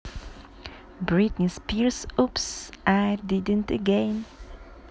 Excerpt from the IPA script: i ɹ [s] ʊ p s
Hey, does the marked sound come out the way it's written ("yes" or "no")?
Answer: yes